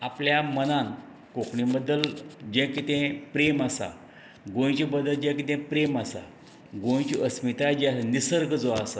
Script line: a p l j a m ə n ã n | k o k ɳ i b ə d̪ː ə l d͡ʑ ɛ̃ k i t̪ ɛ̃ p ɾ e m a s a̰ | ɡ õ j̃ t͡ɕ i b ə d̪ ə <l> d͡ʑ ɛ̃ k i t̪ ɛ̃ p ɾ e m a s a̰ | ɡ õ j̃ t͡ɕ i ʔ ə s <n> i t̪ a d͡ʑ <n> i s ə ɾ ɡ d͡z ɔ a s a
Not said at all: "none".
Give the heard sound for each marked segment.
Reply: l, m, n

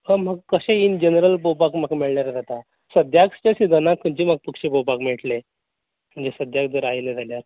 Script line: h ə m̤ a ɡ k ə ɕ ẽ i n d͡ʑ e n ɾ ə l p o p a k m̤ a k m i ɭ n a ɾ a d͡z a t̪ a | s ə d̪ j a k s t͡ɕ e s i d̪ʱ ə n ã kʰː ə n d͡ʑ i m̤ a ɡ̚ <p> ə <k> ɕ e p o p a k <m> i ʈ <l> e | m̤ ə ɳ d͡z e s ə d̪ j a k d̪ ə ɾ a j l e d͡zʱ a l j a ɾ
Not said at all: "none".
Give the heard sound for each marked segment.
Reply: p, k, m, l

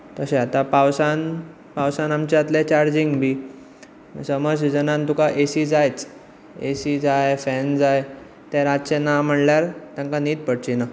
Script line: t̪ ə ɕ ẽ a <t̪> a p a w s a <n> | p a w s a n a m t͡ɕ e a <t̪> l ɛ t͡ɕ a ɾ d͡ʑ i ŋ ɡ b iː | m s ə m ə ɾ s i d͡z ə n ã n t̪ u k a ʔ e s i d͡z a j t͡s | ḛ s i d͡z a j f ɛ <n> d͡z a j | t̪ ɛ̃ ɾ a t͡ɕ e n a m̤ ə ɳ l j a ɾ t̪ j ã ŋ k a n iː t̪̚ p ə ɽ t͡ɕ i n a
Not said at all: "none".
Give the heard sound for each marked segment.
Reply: t̪, n, t̪, n

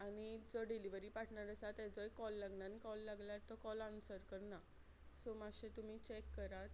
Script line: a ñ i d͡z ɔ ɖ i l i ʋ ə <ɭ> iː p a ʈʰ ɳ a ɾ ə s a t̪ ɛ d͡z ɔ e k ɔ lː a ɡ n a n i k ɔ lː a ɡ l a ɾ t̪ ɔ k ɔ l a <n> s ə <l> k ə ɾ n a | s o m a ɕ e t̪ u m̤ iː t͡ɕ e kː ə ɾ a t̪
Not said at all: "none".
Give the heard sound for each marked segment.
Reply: ɾ, n, ɾ

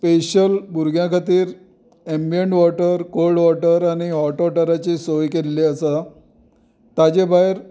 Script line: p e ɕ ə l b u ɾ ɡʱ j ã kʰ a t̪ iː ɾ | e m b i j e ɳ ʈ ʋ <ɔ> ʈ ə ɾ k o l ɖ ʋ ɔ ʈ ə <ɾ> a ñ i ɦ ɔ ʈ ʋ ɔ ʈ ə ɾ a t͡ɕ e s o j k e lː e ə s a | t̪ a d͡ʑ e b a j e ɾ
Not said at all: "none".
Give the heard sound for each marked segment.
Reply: ɔ, ɾ

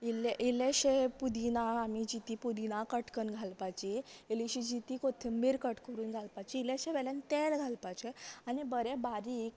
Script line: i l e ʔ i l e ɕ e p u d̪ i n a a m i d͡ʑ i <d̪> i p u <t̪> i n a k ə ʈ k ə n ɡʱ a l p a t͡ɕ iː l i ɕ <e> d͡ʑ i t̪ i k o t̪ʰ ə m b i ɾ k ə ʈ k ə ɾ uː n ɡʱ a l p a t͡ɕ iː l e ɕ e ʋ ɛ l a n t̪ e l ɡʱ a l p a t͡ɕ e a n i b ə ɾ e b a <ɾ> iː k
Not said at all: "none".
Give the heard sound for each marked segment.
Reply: t̪, d̪, i, ɾ

